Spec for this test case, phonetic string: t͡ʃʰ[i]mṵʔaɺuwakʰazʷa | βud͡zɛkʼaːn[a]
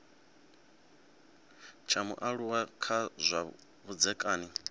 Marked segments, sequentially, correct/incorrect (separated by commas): incorrect, incorrect